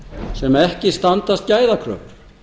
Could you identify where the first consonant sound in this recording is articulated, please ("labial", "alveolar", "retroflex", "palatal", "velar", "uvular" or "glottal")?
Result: alveolar